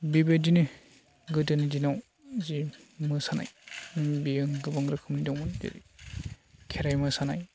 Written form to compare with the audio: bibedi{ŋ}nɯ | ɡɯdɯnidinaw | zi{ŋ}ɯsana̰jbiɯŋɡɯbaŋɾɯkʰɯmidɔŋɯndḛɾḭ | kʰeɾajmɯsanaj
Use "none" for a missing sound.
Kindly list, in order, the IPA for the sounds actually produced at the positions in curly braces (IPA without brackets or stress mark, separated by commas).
none, m